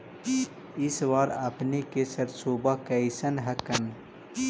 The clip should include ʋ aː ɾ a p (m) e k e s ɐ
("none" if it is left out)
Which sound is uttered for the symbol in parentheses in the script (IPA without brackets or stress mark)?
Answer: n